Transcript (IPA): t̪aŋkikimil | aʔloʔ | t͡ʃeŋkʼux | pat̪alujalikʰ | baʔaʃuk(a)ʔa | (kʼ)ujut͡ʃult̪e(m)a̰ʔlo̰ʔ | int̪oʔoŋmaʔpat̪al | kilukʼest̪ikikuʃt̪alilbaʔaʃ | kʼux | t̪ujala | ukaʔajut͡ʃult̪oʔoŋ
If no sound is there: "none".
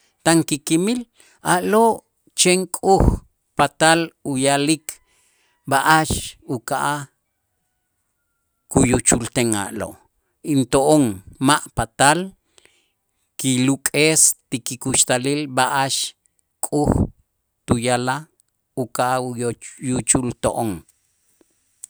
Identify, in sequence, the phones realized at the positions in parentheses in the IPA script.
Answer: a, k, ŋ

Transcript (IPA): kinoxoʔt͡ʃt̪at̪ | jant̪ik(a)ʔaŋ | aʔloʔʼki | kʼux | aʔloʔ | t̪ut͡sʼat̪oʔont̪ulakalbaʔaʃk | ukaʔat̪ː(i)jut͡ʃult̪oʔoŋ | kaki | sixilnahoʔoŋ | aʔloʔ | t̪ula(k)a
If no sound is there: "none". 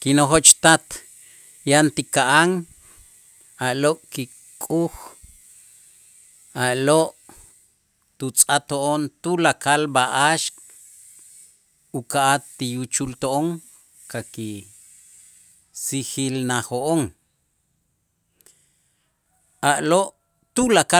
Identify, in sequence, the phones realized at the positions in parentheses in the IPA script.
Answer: a, i, k

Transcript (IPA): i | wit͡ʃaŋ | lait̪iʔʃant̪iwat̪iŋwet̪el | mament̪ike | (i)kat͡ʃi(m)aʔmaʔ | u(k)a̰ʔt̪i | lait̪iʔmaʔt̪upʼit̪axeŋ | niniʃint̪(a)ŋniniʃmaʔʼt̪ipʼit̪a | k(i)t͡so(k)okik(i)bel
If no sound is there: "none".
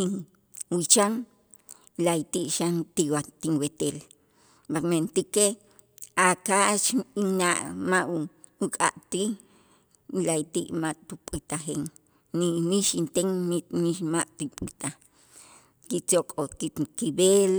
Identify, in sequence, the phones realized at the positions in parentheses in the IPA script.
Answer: a, n, kʼ, e, i, kʼ, i

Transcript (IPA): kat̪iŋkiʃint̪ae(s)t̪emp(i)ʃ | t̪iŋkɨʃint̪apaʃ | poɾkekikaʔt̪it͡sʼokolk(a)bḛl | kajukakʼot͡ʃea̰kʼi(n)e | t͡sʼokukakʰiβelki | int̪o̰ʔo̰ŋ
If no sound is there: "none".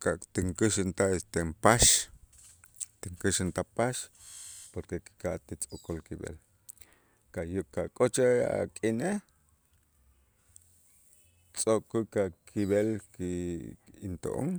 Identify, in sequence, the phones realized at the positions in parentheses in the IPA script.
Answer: s, a, i, n

